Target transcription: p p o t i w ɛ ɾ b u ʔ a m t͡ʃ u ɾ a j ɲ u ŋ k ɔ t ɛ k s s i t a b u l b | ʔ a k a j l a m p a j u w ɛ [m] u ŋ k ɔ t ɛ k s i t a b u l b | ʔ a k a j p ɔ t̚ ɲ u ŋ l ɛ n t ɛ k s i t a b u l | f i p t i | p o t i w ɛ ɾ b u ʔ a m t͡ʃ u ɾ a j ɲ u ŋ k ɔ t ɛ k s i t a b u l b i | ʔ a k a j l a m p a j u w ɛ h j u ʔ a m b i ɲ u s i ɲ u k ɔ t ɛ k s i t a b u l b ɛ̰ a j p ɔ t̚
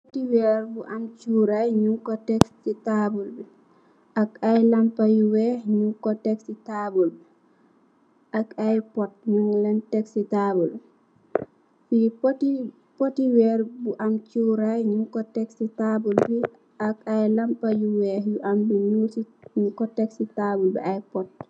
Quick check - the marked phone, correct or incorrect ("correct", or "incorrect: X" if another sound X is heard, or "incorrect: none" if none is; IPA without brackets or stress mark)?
incorrect: ɲ